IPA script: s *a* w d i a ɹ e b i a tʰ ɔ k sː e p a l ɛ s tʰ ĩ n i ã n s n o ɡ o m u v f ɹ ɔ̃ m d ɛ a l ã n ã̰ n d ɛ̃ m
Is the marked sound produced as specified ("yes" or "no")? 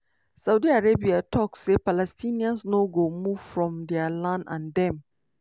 yes